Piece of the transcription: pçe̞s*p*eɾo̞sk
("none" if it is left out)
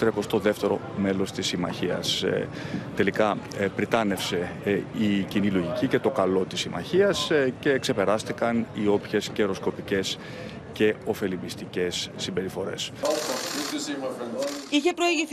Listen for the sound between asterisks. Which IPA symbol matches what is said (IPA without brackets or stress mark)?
c